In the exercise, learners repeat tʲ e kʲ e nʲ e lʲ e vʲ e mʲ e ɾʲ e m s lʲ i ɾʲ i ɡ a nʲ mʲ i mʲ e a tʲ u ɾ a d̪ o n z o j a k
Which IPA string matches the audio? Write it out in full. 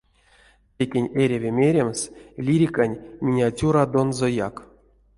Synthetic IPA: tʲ e kʲ e nʲ e ɾʲ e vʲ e mʲ e ɾʲ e m s lʲ i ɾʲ i k a nʲ mʲ i nʲ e a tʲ u ɾ a d̪ o n z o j a k